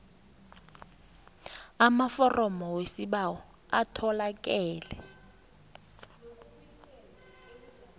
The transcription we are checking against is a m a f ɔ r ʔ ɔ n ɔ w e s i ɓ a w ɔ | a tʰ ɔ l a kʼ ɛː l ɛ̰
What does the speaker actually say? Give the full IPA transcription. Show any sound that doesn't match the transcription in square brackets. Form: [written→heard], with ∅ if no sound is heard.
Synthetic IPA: a m a f ɔ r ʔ ɔ [n→m] ɔ w e s i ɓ a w ɔ | a tʰ ɔ l a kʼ ɛː l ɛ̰